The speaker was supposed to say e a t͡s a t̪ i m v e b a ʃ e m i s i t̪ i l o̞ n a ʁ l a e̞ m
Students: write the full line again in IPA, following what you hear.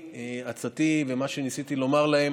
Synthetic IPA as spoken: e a t͡s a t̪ i v e m a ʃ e n i s i t̪ i l o̞ m a ʁ l a e̞ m